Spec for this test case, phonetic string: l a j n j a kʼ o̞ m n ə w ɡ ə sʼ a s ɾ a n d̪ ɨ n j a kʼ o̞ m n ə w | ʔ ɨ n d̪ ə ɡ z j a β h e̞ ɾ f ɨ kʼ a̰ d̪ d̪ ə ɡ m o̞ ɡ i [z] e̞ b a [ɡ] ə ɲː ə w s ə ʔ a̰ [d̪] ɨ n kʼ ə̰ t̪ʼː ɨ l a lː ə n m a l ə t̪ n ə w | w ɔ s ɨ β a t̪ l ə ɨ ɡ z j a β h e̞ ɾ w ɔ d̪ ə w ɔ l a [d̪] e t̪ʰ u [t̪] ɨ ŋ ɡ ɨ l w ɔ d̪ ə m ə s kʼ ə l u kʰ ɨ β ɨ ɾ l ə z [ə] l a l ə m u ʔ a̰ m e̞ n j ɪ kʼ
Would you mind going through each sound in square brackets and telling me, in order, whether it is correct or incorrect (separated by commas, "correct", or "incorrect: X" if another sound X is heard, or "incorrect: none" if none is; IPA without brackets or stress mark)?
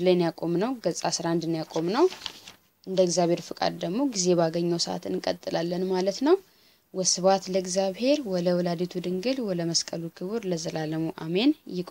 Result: correct, correct, incorrect: t̪, correct, incorrect: d̪, correct